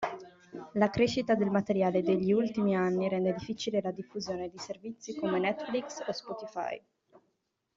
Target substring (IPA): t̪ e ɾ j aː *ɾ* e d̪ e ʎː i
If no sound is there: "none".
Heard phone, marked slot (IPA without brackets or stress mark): l